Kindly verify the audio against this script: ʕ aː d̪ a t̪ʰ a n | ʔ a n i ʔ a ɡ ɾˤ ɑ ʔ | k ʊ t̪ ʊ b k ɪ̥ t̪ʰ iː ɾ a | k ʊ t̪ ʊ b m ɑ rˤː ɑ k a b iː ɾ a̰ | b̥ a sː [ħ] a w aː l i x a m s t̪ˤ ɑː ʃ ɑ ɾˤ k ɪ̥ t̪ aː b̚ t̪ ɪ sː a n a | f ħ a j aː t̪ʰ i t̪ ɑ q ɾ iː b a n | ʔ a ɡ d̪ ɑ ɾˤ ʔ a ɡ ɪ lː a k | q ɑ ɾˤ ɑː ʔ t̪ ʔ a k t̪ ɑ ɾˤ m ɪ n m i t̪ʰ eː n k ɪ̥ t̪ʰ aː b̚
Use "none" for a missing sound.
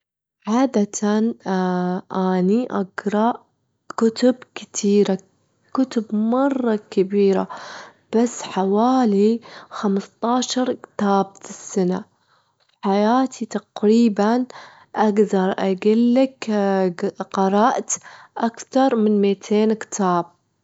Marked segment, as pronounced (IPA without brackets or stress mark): ħ